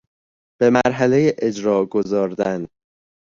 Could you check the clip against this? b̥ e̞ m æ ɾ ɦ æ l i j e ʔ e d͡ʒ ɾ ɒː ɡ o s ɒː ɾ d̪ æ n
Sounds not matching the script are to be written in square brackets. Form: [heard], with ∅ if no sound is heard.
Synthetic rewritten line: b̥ e̞ m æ ɾ ɦ æ l [e] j e ʔ e d͡ʒ ɾ ɒː ɡ o [z] ɒː ɾ d̪ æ n

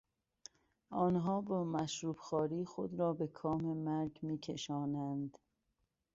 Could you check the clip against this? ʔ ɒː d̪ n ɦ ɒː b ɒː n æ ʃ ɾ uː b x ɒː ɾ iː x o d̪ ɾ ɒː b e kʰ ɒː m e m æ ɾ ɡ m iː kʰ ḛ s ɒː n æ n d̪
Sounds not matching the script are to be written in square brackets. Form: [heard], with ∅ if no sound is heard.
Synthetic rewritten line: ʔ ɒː [∅] n ɦ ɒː b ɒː [m] æ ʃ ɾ uː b x ɒː ɾ iː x o d̪ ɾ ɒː b e kʰ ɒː m e m æ ɾ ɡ m iː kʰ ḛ [ʃ] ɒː n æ n d̪

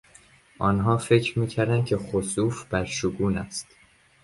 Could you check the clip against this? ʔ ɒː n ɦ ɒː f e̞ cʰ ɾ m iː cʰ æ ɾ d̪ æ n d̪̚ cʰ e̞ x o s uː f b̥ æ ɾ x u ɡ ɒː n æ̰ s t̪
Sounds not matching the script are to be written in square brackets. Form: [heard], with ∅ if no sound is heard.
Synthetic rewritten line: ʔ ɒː n ɦ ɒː f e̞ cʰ ɾ m iː cʰ æ ɾ d̪ æ n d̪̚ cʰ e̞ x o s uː f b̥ æ ɾ [ʃ] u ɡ [uː] n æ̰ s t̪

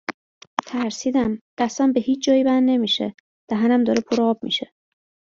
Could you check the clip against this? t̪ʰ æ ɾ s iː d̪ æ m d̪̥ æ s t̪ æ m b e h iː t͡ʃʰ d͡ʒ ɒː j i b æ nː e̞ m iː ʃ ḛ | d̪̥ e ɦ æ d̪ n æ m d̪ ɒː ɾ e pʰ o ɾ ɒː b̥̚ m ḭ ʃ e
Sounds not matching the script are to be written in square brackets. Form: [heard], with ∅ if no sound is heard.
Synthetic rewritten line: t̪ʰ æ ɾ s iː d̪ æ m d̪̥ æ s t̪ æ m b e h iː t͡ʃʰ d͡ʒ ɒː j i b æ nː e̞ m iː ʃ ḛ | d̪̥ [æ] ɦ æ [∅] n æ m d̪ ɒː ɾ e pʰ o ɾ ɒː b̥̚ m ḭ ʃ e

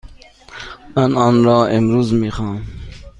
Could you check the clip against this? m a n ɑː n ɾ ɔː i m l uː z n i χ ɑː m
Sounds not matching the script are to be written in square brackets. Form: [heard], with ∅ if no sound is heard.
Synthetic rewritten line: m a n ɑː n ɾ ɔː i m [ɾ] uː z [m] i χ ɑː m

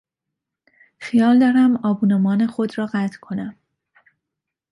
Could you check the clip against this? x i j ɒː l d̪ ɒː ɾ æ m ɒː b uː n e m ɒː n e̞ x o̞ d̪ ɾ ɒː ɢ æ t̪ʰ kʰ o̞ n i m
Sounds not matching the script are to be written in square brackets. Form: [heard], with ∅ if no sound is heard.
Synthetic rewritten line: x i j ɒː l d̪ ɒː ɾ æ m ɒː b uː n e m ɒː n e̞ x o̞ d̪ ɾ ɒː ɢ æ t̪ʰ kʰ o̞ n [æ] m

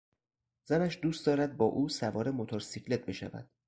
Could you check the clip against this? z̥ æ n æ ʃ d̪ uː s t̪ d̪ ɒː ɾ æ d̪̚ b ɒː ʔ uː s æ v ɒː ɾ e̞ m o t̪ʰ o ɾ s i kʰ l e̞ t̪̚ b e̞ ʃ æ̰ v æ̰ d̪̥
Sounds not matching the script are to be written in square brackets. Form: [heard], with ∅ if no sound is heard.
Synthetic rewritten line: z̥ æ n æ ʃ d̪ uː s t̪ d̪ ɒː ɾ æ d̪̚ b ɒː ʔ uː s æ v ɒː ɾ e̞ m o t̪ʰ o ɾ s i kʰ l e̞ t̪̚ b e̞ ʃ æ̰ v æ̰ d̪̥

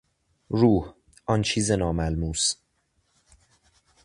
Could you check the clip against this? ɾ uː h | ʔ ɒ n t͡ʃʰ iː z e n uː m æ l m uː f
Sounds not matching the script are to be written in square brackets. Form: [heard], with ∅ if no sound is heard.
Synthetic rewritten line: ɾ uː h | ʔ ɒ n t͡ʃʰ iː z e n [ɒː] m æ l m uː [s]

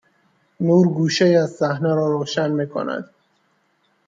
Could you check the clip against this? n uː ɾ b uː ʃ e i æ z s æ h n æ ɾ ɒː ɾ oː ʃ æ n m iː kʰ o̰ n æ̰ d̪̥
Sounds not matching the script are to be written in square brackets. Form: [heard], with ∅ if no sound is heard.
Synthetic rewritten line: n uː ɾ [ɡ] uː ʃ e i æ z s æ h n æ ɾ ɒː ɾ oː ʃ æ n m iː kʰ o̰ n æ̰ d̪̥

